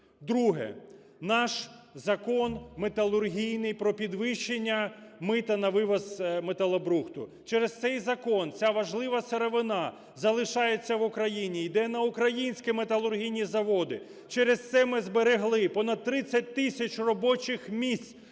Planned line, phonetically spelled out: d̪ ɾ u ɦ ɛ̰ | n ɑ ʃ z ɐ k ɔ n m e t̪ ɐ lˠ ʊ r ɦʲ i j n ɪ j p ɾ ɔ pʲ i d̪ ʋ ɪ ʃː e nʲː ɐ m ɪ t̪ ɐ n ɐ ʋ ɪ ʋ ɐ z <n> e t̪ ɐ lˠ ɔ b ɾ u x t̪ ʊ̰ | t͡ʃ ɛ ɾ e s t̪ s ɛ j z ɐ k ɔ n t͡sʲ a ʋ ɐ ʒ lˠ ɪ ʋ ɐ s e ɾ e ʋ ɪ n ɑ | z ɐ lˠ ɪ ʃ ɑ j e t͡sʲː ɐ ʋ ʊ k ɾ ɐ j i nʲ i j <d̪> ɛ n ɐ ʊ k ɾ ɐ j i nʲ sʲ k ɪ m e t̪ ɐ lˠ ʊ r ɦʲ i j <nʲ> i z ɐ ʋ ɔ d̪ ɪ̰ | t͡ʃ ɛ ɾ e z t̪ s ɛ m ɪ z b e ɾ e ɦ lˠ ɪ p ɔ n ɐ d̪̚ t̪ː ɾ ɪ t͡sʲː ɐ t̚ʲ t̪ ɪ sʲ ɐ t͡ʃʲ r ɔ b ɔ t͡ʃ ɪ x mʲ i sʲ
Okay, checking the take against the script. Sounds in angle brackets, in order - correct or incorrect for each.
incorrect: m, correct, correct

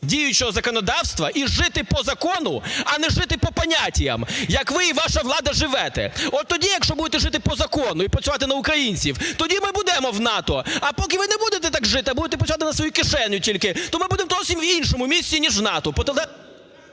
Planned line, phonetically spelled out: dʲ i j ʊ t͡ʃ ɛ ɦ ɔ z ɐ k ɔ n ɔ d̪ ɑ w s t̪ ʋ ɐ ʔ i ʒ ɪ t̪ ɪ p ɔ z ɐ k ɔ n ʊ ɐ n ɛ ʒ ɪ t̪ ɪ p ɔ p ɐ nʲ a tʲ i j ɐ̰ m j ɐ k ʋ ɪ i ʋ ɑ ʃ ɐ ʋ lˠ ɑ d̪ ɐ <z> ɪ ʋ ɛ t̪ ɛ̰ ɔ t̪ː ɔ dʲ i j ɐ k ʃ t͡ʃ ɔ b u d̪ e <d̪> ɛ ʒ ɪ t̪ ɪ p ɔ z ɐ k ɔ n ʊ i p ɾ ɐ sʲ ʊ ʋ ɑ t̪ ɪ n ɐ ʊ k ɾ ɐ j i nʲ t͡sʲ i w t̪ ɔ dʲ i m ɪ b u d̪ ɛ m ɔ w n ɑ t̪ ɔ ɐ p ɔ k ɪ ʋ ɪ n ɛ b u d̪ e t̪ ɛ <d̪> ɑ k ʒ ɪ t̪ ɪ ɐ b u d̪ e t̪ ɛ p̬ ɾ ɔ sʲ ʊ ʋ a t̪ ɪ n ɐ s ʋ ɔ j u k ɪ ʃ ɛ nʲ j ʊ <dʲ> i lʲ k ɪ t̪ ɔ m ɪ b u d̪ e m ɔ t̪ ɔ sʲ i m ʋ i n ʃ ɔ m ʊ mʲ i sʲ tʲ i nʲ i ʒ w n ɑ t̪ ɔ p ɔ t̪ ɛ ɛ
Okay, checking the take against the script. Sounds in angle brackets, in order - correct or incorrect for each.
incorrect: ʒ, incorrect: t̪, incorrect: t̪, incorrect: tʲ

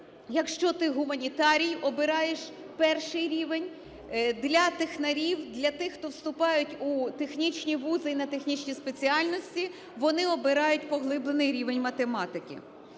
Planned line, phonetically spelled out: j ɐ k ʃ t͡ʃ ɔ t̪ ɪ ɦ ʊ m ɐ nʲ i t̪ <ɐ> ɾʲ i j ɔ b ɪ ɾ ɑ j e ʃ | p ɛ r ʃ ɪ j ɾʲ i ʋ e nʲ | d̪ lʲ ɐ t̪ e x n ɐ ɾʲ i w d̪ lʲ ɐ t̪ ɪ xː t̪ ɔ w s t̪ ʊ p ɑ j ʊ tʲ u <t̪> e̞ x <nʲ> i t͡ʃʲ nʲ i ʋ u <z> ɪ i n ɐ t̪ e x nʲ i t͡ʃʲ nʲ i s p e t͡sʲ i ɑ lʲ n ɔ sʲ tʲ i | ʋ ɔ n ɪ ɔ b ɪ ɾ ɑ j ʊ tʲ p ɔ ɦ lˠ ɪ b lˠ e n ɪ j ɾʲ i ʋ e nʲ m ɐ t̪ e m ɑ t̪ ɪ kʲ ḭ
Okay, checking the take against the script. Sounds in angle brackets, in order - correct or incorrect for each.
incorrect: ɑ, correct, correct, correct

